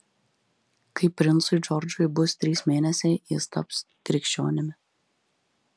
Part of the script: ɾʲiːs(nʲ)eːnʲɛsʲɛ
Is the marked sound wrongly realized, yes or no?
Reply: yes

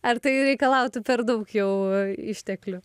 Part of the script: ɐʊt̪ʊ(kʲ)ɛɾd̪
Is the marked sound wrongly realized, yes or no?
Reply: yes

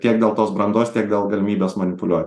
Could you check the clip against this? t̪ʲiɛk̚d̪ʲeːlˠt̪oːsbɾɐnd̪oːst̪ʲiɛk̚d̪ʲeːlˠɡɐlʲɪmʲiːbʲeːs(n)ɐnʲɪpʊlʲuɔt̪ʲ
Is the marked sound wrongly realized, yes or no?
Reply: yes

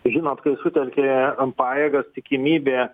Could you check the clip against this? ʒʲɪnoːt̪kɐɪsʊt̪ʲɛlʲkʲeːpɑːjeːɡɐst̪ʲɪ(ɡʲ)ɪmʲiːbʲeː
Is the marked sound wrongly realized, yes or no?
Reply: yes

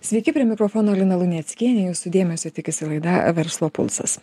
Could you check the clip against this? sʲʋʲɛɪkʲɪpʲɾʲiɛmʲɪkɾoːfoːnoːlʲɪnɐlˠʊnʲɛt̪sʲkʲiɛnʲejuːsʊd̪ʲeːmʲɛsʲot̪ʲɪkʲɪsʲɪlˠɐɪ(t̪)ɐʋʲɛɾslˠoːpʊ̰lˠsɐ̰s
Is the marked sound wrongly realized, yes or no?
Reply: yes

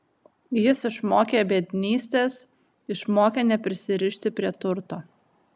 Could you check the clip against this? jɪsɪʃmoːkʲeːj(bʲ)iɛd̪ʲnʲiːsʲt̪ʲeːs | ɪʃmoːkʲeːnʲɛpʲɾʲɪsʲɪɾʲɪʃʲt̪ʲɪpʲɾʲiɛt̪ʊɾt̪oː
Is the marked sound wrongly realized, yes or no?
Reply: no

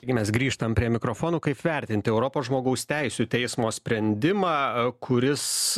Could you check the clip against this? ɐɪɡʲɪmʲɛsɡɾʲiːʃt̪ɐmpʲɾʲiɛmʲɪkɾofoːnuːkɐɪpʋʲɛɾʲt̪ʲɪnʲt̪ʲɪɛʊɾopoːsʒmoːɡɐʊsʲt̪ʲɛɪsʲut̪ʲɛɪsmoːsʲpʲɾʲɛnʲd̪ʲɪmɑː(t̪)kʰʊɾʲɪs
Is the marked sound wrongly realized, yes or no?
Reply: yes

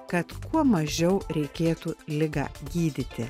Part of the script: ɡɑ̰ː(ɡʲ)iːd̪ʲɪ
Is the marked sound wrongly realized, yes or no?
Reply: no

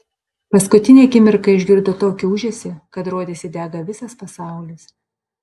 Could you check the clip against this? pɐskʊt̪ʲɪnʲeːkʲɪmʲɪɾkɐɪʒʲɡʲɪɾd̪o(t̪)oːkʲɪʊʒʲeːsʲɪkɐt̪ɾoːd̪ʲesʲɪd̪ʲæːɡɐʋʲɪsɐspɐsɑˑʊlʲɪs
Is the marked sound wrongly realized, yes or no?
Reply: no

